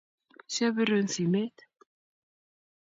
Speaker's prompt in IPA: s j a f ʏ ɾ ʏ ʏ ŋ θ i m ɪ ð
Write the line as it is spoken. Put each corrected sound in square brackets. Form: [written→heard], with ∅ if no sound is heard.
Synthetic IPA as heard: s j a [f→v] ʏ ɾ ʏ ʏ [ŋ→n] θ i m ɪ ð